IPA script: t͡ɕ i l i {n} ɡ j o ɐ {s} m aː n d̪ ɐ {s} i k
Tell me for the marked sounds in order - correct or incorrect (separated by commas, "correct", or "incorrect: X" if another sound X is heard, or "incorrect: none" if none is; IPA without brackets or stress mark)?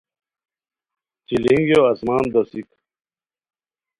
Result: incorrect: ŋ, correct, correct